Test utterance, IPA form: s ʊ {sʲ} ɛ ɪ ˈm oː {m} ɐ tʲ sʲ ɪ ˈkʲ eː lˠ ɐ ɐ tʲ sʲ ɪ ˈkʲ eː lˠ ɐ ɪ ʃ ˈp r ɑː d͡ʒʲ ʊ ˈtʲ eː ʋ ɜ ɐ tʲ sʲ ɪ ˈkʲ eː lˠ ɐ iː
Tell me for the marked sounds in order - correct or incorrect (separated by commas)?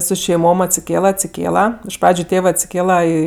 incorrect, correct